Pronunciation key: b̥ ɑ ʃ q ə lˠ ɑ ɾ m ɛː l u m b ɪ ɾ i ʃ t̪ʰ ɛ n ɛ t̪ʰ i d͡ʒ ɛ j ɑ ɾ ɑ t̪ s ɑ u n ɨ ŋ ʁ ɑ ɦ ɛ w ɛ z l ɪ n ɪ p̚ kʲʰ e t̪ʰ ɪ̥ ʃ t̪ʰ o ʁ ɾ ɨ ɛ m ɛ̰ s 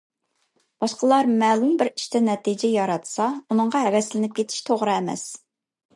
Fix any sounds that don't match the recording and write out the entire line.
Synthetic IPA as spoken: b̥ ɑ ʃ q ə lˠ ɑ ɾ m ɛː l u m b ɪ ɾ i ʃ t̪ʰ ɛ n ɛ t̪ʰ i d͡ʒ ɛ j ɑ ɾ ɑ t̪ s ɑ u n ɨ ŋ ʁ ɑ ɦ ɛ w ɛ s l ɪ n ɪ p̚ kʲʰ e t̪ʰ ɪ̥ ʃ t̪ʰ o ʁ ɾ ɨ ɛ m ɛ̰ s